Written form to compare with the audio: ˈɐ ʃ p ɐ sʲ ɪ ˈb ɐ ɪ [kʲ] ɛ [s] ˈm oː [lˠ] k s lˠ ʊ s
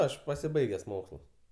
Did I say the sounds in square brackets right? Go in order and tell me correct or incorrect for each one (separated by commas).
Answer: incorrect, correct, incorrect